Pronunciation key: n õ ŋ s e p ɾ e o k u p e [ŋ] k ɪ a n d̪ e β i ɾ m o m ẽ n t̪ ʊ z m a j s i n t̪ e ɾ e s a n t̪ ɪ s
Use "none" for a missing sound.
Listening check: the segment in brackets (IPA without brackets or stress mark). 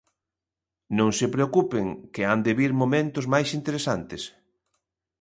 ŋ